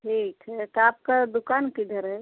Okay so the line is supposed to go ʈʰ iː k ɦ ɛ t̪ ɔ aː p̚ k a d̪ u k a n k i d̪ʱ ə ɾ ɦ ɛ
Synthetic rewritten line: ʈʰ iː k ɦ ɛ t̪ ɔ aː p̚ k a d̪ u k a n k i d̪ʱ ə ɾ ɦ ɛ

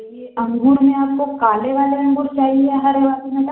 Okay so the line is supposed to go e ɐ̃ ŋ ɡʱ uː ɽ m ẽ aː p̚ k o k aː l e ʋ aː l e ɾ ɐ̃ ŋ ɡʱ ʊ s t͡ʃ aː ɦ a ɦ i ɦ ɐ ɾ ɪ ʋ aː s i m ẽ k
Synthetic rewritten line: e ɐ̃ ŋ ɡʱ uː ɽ m ẽ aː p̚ k o k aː l e ʋ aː l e ɾ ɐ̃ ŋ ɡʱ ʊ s t͡ʃ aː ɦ i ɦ ɛ ɦ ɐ ɾ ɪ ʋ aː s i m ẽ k

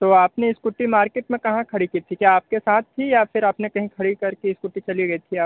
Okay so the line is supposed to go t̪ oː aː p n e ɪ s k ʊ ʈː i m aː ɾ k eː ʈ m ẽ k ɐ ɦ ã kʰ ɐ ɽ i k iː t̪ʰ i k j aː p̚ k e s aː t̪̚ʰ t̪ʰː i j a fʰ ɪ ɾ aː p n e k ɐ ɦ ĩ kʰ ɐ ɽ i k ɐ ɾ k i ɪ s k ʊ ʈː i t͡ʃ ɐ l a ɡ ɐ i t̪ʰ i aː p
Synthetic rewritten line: t̪ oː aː p n e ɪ s k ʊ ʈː i m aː ɾ k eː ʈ m ẽ k ɐ ɦ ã kʰ ɐ ɽ i k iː t̪ʰ i k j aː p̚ k e s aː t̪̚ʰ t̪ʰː i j a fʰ ɪ ɾ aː p n e k ɐ ɦ ĩ kʰ ɐ ɽ i k ɐ ɾ k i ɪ s k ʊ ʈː i t͡ʃ ɐ l i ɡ ɐ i t̪ʰ i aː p

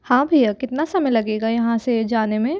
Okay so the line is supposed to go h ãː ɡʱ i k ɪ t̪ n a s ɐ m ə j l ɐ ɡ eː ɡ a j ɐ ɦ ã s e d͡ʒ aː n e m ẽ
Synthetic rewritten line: h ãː bʱ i k ɪ t̪ n a s ɐ m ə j l ɐ ɡ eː ɡ a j ɐ ɦ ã s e d͡ʒ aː n e m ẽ

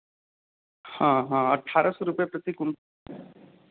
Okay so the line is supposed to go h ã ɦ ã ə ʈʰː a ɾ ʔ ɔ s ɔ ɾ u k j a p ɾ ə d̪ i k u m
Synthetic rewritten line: h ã ɦ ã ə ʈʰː a ɾ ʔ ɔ s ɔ ɾ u p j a p ɾ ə t̪ i k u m

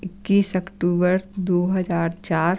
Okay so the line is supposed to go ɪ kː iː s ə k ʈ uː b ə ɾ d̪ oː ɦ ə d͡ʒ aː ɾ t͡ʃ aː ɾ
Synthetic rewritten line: ɪ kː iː s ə k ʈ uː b ə ɾ d̪ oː ɦ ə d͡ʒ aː ɾ t͡ʃ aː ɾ

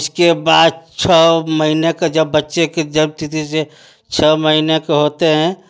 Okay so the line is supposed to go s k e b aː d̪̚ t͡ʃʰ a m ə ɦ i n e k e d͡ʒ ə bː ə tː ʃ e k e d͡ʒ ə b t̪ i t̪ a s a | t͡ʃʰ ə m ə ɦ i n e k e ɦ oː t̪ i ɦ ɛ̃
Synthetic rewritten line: s k e b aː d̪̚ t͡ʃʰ ə m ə ɦ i n e k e d͡ʒ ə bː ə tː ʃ e k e d͡ʒ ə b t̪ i t̪ i s e | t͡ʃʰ ə m ə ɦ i n e k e ɦ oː t̪ e ɦ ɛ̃

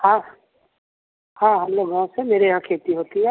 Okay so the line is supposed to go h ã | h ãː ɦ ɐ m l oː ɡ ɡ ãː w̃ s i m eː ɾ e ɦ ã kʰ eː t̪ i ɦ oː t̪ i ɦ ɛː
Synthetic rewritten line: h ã | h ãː ɦ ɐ m l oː ɡ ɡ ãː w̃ s e m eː ɾ e ɦ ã kʰ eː t̪ i ɦ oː t̪ i ɦ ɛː

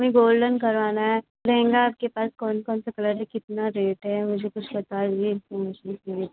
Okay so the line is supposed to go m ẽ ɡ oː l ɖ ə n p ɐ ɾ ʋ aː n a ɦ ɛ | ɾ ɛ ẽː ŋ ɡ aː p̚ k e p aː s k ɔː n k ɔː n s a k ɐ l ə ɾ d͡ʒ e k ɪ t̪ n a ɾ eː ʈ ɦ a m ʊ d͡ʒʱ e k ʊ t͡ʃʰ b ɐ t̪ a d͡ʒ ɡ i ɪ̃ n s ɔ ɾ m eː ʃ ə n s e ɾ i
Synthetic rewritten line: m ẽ ɡ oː l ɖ ə n k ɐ ɾ ʋ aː n a ɦ ɛ | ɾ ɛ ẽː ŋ ɡ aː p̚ k e p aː s k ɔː n k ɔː n s a k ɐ l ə ɾ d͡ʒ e k ɪ t̪ n a ɾ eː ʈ ɦ ɛ m ʊ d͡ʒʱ e k ʊ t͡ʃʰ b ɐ t̪ a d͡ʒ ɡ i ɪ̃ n f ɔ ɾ m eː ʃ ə n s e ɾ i

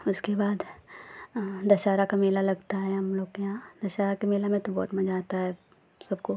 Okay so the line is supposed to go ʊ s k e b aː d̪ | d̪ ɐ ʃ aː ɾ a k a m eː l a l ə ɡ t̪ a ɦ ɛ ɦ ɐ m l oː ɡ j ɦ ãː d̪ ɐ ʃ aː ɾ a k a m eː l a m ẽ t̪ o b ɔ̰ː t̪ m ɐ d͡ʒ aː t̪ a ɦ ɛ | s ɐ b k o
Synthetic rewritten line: ʊ s k e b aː d̪ | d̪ ɐ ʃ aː ɾ a k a m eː l a l ɐ ɡ t̪ a ɦ ɛ ɦ ɐ m l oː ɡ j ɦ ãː d̪ ɐ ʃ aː ɾ a k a m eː l a m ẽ t̪ o b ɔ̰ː t̪ m ɐ d͡ʒ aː t̪ a ɦ ɛ | s ɐ b k o

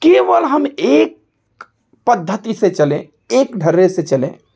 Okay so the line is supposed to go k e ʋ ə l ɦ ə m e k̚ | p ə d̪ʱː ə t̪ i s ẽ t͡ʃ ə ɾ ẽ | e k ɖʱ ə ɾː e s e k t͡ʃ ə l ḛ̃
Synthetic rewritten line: k e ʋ ə l ɦ ə m e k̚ | p ə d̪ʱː ə t̪ i s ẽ t͡ʃ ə l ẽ | e k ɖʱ ə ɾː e s e t͡ʃ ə l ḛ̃

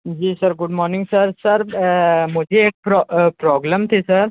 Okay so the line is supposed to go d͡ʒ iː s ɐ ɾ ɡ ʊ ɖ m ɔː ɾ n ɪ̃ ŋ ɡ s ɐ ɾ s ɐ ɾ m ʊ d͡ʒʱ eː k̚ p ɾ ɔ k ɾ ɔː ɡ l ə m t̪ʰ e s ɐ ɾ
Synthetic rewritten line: d͡ʒ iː s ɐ ɾ ɡ ʊ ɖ m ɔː ɾ n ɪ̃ ŋ ɡ s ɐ ɾ s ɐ ɾ m ʊ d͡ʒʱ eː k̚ p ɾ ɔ p ɾ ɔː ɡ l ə m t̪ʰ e s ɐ ɾ

